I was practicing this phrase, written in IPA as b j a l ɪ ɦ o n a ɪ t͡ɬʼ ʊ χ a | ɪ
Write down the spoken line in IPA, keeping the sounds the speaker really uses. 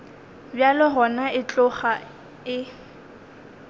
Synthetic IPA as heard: b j a l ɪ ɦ ɔ n a ɪ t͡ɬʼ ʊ χ a | ɪ